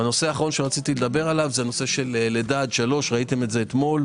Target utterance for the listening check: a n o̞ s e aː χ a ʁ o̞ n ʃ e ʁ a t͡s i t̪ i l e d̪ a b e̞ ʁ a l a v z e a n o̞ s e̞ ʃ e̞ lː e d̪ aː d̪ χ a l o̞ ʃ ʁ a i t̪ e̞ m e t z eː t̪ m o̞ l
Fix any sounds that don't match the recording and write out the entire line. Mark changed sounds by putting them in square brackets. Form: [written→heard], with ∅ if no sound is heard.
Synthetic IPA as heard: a n o̞ s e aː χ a ʁ o̞ n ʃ e ʁ a t͡s i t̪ i l e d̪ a b e̞ ʁ a l a v z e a n o̞ s e̞ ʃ e̞ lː e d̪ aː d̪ [χ→ʃ] a l o̞ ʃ ʁ a i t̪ e̞ m e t z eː t̪ m o̞ l